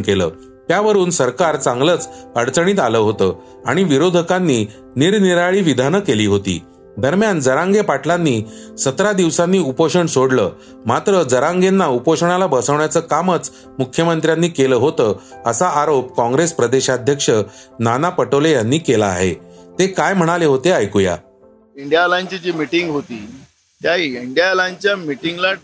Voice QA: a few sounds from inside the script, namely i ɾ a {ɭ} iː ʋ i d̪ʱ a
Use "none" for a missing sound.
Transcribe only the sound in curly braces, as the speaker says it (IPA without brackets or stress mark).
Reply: ɭ